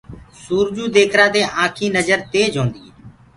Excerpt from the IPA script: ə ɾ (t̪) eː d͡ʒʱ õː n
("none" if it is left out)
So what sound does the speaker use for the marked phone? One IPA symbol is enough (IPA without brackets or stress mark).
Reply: t̪